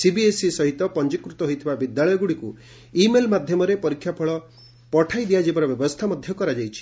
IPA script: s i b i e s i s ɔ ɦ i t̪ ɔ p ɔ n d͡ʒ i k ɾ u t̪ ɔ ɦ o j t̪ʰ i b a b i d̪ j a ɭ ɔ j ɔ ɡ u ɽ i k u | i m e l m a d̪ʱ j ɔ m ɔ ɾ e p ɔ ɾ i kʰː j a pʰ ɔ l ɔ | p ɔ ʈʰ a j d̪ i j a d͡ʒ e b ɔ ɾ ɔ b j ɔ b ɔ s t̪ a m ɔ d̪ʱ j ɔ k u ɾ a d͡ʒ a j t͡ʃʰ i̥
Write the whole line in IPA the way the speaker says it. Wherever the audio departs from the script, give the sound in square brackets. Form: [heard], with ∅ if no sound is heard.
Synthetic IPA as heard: s i b i e s i s ɔ ɦ i t̪ ɔ p ɔ n d͡ʒ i k ɾ u t̪ ɔ ɦ o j t̪ʰ i b a b i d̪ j a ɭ ɔ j ɔ ɡ u ɽ i k u | i m e l m a d̪ʱ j ɔ m ɔ ɾ e p ɔ ɾ i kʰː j a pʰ ɔ [ɭ] ɔ | p ɔ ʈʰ a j d̪ i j a d͡ʒ e b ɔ ɾ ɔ b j ɔ b ɔ s [t̪ʰ] a m ɔ d̪ʱ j ɔ k [ɔ] ɾ a d͡ʒ a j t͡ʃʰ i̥